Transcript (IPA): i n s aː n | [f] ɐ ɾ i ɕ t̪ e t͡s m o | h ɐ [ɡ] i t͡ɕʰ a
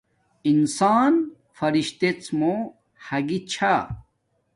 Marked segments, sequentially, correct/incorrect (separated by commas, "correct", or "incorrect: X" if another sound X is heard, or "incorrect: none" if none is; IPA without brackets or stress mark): correct, correct